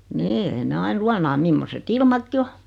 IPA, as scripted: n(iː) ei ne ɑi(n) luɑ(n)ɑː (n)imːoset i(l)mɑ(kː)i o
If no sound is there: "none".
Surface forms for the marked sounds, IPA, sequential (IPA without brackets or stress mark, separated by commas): iː, n, n, m, l, kː